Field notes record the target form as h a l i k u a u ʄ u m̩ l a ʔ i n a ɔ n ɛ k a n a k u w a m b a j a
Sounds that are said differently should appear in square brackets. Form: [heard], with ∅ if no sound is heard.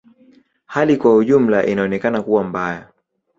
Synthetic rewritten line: h a l i k [w] a u ʄ u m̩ l a ʔ i n a ɔ n ɛ k a n a k u w a m b a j a